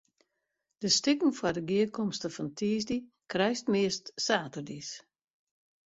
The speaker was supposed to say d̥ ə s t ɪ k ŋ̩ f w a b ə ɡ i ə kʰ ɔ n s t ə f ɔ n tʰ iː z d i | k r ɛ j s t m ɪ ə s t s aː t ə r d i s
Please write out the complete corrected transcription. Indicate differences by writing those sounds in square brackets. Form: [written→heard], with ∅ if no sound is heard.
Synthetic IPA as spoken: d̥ ə s t ɪ k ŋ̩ f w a [b→d] ə ɡ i ə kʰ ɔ [n→m] s t ə f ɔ n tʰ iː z d i | k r ɛ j s t m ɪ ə s t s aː t ə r d i s

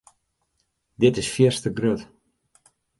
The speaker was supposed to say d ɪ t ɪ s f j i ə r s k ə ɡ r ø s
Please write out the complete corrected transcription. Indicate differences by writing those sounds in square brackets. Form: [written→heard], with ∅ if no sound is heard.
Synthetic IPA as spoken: d ɪ t ɪ s f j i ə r s [k→t] ə ɡ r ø [s→t]

